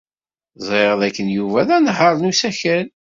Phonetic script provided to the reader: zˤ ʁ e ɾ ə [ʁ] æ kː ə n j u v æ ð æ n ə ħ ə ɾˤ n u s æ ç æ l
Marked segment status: incorrect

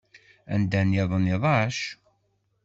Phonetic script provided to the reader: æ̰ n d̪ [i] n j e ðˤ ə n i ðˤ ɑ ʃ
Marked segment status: incorrect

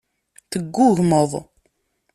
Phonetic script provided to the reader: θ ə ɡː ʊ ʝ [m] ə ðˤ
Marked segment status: correct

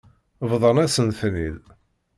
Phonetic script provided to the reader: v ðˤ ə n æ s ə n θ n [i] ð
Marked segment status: correct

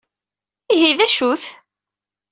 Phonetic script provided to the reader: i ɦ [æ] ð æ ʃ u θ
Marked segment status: incorrect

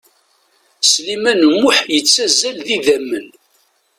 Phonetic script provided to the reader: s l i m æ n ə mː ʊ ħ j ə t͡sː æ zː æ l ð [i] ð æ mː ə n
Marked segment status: correct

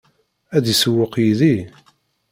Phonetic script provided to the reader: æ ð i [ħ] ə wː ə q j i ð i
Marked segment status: incorrect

